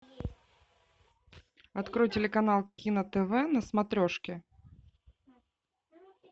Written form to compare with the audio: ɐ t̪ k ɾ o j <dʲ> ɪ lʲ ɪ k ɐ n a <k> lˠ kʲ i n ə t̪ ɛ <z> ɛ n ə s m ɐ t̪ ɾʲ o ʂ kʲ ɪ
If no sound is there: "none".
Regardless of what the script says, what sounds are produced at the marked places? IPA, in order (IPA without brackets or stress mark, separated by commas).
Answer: tʲ, none, v